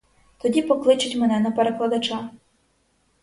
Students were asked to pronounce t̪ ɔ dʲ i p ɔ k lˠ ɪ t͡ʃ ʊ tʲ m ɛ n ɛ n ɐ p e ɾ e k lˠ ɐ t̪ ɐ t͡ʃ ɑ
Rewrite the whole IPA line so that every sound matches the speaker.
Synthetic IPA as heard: t̪ ɔ dʲ i p ɔ k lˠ ɪ t͡ʃ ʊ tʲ m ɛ n ɛ n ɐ p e ɾ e k lˠ ɐ d̪ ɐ t͡ʃ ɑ